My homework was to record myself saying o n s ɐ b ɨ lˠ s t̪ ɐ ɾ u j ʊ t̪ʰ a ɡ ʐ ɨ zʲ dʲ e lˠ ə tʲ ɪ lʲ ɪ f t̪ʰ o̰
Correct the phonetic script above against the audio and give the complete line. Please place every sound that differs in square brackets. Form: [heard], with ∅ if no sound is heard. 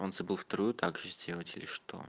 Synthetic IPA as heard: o n [z] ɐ b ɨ lˠ [f] t̪ ɐ ɾ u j ʊ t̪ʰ a ɡ ʐ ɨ zʲ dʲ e lˠ ə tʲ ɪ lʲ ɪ [ʂ] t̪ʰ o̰